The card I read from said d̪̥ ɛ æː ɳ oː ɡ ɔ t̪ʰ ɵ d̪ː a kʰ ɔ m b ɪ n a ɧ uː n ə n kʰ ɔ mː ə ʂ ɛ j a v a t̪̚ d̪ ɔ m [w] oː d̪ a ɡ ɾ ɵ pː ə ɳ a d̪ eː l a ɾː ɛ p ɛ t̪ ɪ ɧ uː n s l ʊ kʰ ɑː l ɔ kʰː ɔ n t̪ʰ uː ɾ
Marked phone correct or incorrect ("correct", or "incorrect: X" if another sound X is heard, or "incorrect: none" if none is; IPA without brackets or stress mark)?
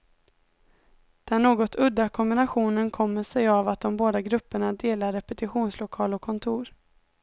incorrect: b